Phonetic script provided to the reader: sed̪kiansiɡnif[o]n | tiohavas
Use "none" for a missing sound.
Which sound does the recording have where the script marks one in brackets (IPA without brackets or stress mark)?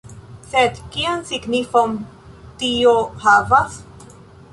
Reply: o